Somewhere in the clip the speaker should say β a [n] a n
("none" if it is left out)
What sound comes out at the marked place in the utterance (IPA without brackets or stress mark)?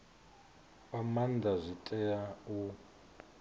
m